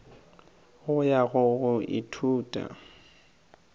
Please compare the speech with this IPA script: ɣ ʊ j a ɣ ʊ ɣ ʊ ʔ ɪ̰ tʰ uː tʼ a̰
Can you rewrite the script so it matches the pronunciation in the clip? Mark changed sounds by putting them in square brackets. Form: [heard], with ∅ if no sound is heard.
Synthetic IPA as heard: ɣ ʊ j a ɣ ʊ ɣ ʊ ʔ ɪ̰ tʰ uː tʼ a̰